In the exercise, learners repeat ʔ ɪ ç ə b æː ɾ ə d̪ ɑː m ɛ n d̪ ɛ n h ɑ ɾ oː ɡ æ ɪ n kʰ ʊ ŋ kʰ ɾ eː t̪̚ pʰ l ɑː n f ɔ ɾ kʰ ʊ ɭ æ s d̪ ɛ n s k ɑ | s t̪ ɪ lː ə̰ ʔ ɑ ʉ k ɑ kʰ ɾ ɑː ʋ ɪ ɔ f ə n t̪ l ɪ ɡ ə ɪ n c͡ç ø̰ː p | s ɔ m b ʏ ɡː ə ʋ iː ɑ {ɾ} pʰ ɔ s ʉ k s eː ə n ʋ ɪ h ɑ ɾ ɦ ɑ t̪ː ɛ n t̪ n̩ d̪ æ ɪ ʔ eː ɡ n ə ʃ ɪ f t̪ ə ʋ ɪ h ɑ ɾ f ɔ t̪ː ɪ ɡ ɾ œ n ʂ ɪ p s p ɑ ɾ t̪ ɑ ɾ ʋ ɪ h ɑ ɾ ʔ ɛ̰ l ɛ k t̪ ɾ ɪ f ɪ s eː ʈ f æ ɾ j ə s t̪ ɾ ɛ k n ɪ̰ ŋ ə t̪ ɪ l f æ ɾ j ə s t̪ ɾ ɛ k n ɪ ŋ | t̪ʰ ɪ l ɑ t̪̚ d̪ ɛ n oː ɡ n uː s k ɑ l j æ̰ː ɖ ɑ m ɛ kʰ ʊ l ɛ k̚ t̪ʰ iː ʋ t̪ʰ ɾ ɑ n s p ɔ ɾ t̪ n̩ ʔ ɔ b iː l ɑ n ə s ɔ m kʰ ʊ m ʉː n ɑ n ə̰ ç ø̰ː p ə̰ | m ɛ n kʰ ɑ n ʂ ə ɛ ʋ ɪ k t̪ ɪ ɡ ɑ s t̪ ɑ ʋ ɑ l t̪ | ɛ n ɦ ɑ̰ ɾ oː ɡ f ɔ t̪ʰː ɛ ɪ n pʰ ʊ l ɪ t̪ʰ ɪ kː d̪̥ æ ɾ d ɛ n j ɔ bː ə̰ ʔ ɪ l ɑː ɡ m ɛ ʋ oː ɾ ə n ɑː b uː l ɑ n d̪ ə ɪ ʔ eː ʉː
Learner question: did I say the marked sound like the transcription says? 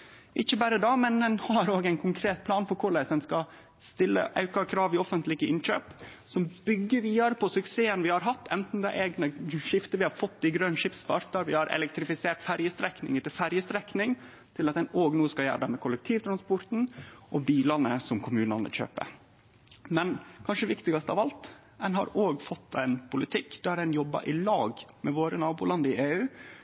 yes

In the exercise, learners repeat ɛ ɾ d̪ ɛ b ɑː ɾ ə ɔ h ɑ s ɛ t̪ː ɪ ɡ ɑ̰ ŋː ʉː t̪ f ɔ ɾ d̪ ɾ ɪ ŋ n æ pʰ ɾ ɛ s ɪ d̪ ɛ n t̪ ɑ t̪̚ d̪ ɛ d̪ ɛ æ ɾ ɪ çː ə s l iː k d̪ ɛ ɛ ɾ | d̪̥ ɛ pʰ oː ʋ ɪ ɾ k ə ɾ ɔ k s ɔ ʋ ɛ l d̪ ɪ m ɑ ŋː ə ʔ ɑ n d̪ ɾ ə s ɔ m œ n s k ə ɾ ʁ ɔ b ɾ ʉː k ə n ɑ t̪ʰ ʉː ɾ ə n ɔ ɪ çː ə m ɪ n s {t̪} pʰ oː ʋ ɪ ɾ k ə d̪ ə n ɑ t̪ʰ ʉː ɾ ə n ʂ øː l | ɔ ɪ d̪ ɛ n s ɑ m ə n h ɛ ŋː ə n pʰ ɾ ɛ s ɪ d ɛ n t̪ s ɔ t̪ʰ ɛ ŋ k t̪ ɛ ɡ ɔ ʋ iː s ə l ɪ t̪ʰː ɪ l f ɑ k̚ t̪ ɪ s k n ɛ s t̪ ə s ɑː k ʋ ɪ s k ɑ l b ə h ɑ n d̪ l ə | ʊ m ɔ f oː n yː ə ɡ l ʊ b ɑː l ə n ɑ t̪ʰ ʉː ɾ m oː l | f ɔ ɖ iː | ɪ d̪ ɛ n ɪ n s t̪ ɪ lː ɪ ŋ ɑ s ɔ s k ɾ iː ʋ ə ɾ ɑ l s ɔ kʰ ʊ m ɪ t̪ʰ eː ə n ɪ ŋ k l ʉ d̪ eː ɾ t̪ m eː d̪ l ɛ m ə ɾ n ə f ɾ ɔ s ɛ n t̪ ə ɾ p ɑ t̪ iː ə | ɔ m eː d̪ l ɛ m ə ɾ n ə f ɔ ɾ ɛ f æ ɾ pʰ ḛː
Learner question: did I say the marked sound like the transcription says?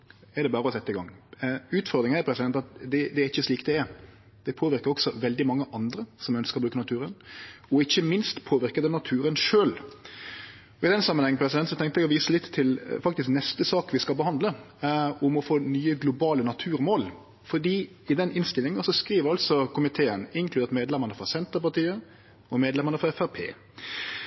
yes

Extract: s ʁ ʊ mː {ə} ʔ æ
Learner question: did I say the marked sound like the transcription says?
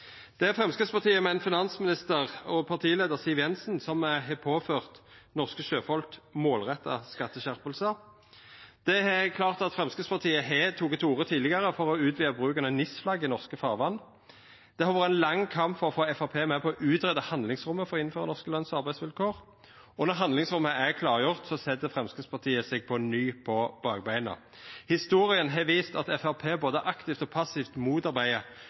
yes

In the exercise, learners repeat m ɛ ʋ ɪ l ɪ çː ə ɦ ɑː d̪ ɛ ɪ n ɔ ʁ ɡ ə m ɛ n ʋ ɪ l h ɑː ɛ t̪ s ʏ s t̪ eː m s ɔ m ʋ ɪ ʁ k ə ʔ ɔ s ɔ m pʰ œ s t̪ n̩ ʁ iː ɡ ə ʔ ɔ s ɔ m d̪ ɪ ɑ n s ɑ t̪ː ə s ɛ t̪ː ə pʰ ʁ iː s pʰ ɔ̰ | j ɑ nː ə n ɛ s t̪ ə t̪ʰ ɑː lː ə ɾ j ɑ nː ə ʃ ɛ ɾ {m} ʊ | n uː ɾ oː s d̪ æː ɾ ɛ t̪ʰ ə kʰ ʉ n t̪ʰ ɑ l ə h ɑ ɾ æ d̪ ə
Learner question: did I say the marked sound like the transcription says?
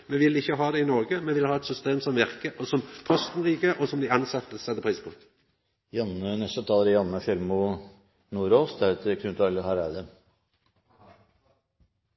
yes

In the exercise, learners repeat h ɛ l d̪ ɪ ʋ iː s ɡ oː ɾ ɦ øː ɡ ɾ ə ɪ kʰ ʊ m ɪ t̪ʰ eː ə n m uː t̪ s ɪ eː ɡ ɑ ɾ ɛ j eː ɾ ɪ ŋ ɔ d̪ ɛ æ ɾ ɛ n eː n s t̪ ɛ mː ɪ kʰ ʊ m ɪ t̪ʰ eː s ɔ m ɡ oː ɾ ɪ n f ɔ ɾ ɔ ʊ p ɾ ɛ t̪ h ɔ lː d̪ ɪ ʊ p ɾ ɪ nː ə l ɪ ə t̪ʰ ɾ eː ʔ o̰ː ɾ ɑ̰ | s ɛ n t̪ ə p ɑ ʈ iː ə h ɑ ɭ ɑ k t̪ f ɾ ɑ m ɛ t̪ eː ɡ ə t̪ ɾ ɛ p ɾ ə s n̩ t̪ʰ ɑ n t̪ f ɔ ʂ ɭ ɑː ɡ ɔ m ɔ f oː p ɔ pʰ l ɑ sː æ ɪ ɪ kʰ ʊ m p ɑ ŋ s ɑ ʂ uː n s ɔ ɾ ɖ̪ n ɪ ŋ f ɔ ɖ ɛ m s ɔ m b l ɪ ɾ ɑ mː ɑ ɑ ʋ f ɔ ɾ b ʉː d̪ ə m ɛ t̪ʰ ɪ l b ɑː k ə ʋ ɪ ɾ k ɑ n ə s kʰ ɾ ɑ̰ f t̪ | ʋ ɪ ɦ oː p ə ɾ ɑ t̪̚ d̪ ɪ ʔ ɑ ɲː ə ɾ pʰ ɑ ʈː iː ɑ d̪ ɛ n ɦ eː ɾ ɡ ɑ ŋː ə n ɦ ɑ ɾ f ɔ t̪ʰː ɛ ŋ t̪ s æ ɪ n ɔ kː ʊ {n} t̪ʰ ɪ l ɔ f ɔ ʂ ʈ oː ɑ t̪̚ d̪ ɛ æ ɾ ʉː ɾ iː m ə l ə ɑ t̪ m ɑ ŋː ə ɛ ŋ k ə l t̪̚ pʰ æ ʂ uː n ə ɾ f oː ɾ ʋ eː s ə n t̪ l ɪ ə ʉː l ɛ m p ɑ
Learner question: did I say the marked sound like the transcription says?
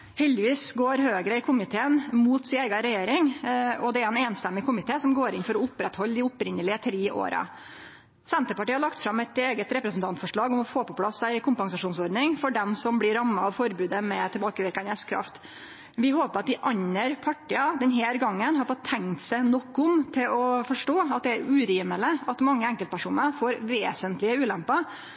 no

